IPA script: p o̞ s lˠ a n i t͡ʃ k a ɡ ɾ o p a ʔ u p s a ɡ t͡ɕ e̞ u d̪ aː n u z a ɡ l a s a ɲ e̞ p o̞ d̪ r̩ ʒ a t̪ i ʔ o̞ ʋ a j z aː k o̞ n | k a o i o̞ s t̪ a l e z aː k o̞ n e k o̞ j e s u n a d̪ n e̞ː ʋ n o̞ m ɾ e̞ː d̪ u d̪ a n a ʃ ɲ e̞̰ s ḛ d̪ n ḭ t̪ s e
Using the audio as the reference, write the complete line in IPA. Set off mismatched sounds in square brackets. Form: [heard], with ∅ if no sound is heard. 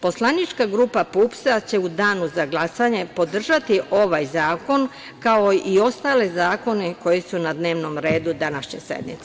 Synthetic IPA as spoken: p o̞ s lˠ a n i t͡ʃ k a ɡ ɾ [u] p a [p] u p s a [∅] t͡ɕ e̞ u d̪ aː n u z a ɡ l a s a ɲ e̞ p o̞ d̪ r̩ ʒ a t̪ i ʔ o̞ ʋ a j z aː k o̞ n | k a o i o̞ s t̪ a l e z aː k o̞ n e k o̞ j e s u n a d̪ n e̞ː ʋ n o̞ m ɾ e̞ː d̪ u d̪ a n a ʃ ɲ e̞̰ s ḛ d̪ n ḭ t̪ s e